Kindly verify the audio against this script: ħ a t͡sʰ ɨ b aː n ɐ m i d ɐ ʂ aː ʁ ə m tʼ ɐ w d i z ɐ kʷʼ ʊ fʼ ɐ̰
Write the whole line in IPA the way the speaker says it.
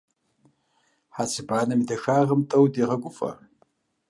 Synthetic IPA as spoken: ħ a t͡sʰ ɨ b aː n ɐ m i d ɐ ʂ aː ʁ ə m tʼ ɐ w d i ʁ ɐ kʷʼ ʊ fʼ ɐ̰